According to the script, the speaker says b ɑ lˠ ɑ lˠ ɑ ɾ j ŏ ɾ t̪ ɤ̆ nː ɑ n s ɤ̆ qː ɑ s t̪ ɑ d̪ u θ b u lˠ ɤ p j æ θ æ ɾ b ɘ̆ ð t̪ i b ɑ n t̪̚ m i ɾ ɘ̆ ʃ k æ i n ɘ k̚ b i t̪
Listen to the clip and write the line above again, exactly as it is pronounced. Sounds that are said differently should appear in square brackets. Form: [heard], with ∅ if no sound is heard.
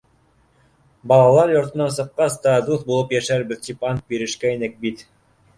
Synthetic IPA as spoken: b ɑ lˠ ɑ lˠ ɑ ɾ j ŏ ɾ t̪ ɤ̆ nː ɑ n s ɤ̆ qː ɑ s t̪ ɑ d̪ u θ b u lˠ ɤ p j æ [ʃ] æ ɾ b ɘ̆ ð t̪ i [p] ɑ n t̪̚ [b] i ɾ ɘ̆ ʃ k æ i n ɘ k̚ b i t̪

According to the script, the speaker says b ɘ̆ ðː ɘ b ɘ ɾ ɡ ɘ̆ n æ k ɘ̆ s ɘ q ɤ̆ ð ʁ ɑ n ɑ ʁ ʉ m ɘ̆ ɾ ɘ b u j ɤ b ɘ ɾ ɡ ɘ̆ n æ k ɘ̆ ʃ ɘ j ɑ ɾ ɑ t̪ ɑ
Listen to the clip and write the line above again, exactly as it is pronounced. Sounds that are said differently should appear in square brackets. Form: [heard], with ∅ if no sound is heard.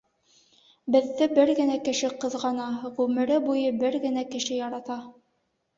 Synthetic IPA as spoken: b ɘ̆ ðː ɘ b ɘ ɾ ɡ ɘ̆ n æ k ɘ̆ [ʃ] ɘ q ɤ̆ ð ʁ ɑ n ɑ ʁ ʉ m ɘ̆ ɾ ɘ b u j ɤ b ɘ ɾ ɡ ɘ̆ n æ k ɘ̆ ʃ ɘ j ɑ ɾ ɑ t̪ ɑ

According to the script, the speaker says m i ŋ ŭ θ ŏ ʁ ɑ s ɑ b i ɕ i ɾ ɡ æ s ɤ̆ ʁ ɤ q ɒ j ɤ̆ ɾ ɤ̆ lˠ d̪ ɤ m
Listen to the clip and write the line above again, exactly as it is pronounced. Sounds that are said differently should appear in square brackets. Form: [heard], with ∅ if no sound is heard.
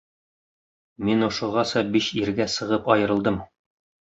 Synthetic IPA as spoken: m i [n] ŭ [ʃ] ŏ ʁ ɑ s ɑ b i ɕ i ɾ ɡ æ s ɤ̆ ʁ ɤ [p] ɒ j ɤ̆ ɾ ɤ̆ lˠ d̪ ɤ m

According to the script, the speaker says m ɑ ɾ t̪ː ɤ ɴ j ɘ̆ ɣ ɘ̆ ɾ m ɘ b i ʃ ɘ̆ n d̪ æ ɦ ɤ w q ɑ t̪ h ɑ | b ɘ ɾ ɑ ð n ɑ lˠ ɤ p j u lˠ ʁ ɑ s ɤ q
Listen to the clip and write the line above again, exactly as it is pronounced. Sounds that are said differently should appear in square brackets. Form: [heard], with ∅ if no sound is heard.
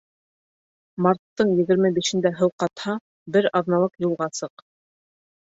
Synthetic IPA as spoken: m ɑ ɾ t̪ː ɤ ɴ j ɘ̆ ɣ ɘ̆ ɾ m ɘ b i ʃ ɘ̆ n d̪ æ ɦ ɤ w q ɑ t̪ h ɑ | b ɘ ɾ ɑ ð n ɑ lˠ ɤ [q] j u lˠ ʁ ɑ s ɤ q

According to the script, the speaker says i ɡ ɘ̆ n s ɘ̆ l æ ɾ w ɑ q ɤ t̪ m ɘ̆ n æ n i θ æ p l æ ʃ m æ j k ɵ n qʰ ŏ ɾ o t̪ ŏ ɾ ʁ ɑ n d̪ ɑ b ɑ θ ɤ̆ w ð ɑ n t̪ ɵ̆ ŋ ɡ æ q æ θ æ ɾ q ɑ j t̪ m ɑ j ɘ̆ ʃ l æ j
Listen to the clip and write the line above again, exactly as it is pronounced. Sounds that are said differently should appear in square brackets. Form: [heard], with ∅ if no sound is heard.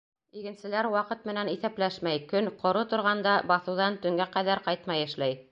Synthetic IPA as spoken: i ɡ ɘ̆ n s ɘ̆ l æ ɾ w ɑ q ɤ t̪ m ɘ̆ n æ n i θ æ p l æ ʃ m æ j k ɵ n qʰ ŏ ɾ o t̪ ŏ ɾ ʁ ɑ n d̪ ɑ b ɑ θ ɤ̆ w ð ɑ n t̪ ɵ̆ ŋ ɡ æ q æ [ð] æ ɾ q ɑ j t̪ m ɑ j ɘ̆ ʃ l æ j

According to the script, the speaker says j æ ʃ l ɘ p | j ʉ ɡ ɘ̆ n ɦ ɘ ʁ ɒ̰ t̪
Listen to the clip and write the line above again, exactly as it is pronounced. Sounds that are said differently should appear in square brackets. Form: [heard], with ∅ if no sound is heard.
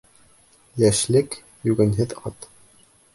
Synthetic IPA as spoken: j æ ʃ l ɘ [k] | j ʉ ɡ ɘ̆ n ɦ ɘ [ð] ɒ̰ t̪

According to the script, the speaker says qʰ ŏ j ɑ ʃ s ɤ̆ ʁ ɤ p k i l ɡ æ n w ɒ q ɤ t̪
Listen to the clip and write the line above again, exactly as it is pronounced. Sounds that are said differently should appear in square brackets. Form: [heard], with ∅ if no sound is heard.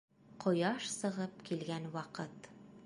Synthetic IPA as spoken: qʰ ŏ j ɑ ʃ s ɤ̆ ʁ ɤ p k i l ɡ æ n w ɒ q ɤ t̪

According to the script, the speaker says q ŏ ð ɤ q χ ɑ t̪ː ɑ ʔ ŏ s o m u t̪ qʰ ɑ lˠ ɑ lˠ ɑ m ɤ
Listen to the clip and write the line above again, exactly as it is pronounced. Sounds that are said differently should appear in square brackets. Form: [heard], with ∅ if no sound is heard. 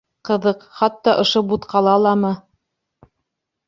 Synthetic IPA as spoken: q [ɤ̆] ð ɤ q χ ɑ t̪ː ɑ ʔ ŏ [ʃ] o [b] u t̪ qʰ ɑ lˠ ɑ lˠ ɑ m ɤ

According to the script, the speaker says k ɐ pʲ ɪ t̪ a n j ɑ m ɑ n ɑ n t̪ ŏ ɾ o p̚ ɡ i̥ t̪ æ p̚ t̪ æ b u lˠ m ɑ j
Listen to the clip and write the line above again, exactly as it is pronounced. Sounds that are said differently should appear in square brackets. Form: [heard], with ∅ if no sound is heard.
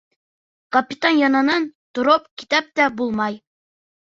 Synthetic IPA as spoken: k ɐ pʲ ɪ t̪ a n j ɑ [n] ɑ n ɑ n t̪ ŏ ɾ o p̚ [k] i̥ t̪ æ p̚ t̪ æ b u lˠ m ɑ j

